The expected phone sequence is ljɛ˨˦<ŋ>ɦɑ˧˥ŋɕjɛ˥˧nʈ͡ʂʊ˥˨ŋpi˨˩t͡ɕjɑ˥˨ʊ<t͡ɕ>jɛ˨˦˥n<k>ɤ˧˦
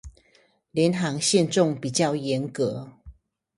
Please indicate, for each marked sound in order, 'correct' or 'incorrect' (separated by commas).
incorrect, incorrect, correct